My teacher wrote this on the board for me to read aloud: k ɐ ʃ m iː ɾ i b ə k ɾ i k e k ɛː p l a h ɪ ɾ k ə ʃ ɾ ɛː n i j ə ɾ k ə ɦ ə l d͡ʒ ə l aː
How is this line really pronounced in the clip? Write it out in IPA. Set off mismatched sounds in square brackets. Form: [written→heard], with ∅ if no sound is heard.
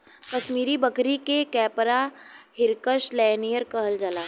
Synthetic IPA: k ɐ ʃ m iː ɾ i b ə k ɾ i k e k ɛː p [l→ɾ] a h ɪ ɾ k ə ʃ [ɾ→l] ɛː n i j ə ɾ k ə ɦ ə l d͡ʒ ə l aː